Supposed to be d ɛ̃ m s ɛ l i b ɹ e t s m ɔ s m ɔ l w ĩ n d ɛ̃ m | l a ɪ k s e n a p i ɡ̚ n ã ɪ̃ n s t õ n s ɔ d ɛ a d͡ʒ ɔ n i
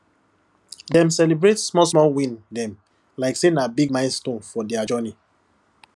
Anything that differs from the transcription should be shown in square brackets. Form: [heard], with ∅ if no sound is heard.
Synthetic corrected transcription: d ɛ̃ m s ɛ l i b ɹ e t s m ɔ s m ɔ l w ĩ n d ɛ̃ m | l a ɪ k s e n a [b] i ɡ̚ [m] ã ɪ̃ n s t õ n [f] ɔ d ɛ a d͡ʒ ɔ n i